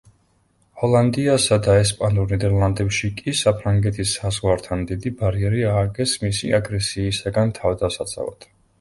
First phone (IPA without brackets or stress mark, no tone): h